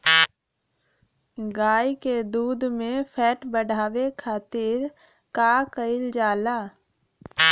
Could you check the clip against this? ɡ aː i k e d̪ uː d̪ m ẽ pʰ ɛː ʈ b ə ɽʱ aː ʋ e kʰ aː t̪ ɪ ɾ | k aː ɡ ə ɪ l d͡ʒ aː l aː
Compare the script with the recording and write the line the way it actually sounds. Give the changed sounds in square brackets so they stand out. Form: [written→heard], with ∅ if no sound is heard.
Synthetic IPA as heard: ɡ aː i k e d̪ uː d̪ m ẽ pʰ ɛː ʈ b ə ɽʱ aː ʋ e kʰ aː t̪ ɪ ɾ | k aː [ɡ→k] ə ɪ l d͡ʒ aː l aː